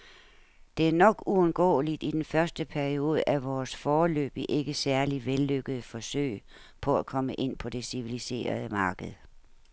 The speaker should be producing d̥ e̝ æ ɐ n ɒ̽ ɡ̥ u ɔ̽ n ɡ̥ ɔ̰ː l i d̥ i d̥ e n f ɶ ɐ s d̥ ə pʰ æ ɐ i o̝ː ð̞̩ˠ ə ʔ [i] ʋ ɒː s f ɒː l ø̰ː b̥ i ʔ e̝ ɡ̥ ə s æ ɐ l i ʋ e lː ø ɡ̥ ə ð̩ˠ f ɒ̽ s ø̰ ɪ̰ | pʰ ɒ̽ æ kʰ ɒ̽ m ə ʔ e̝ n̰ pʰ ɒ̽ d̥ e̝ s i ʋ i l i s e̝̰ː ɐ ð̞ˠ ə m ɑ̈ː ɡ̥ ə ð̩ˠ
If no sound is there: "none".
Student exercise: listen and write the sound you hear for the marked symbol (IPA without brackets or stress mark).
æ